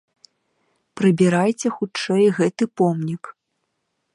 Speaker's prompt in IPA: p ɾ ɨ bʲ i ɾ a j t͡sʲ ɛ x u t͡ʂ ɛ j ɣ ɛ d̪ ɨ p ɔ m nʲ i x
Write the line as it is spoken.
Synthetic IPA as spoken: p ɾ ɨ bʲ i ɾ a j t͡sʲ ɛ x u t͡ʂ ɛ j ɣ ɛ t̪ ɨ p ɔ m nʲ i k